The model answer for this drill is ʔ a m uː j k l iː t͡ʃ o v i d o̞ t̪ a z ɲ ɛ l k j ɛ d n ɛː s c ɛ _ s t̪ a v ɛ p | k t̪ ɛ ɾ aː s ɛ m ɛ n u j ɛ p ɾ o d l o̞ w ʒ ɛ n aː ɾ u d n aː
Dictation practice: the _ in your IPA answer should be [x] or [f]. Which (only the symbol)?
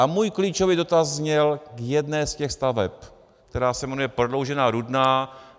x